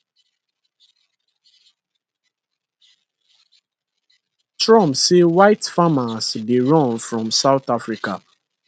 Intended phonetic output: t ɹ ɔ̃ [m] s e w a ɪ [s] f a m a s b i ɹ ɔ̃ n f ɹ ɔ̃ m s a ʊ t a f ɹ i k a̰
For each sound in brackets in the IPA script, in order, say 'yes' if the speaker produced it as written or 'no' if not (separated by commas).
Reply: yes, no